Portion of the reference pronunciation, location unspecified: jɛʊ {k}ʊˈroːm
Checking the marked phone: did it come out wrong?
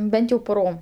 yes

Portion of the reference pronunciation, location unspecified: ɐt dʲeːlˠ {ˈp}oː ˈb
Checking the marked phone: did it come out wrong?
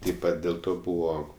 yes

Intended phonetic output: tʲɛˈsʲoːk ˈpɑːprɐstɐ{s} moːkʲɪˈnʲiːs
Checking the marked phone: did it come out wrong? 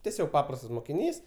no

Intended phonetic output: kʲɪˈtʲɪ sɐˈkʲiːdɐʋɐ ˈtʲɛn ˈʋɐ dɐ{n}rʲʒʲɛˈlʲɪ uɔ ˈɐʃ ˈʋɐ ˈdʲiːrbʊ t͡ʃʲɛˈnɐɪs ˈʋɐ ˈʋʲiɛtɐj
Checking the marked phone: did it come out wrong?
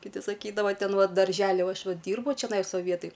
yes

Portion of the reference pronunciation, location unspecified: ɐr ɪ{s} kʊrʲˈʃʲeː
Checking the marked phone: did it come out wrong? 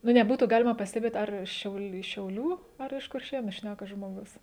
yes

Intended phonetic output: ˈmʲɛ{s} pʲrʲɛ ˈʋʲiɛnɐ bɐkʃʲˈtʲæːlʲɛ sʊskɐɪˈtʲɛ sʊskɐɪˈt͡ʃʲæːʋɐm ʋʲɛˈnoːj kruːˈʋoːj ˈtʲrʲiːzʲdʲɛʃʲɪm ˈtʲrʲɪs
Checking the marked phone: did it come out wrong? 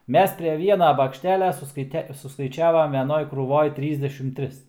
no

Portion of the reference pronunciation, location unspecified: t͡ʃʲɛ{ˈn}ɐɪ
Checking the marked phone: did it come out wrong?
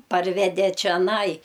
no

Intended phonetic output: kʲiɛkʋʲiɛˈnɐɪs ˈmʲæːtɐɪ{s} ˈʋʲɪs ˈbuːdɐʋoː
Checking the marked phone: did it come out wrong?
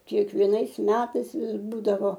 no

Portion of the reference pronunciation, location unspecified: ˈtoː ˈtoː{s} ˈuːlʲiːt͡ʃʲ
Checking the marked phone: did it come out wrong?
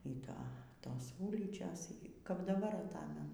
no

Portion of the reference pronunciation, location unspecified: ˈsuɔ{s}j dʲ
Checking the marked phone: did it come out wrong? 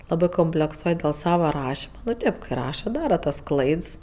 yes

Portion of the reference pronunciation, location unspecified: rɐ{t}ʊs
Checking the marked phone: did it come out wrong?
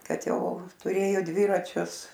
yes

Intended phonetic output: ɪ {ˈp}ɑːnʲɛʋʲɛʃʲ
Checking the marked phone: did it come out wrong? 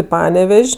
no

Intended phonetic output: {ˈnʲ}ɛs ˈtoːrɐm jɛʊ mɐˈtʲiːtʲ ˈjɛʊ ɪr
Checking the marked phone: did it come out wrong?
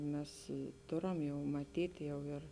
yes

